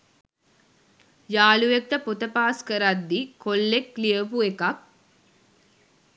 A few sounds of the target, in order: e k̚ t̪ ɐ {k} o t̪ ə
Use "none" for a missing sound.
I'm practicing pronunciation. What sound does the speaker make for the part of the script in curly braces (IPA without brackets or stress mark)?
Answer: p